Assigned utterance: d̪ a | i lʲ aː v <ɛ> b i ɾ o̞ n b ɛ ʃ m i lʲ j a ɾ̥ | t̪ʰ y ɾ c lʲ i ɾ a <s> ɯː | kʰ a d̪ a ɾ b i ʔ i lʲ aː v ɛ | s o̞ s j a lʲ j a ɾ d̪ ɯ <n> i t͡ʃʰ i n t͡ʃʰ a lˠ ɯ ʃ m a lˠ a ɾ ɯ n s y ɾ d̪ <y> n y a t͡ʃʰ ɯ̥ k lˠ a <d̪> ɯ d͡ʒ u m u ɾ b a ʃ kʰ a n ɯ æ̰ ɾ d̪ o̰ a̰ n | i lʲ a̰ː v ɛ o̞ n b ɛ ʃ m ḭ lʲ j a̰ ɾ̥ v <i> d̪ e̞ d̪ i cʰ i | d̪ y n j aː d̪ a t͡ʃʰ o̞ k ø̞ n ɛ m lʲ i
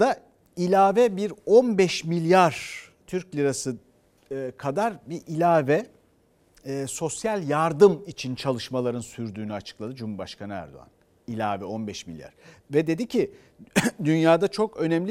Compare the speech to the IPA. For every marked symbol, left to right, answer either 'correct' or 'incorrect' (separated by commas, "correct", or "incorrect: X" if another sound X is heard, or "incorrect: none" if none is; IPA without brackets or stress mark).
correct, correct, incorrect: m, incorrect: yː, correct, incorrect: ɛ